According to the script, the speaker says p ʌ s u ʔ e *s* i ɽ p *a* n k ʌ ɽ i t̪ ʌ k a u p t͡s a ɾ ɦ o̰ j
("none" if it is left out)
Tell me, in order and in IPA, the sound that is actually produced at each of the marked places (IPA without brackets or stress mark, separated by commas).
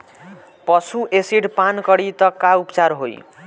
s, a